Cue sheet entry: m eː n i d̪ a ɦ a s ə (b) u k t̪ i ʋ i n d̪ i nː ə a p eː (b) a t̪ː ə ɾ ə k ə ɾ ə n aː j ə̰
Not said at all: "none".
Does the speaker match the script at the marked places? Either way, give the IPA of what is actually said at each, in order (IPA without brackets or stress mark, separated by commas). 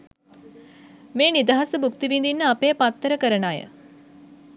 b, p